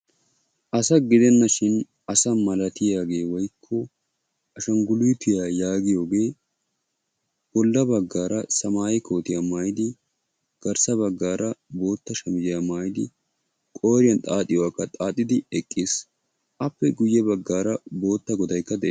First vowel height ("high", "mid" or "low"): low